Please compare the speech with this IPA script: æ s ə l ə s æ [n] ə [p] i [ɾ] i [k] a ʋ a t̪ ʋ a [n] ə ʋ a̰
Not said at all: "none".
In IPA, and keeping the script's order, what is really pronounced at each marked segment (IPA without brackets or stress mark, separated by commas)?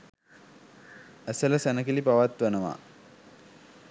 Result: n, k, l, p, n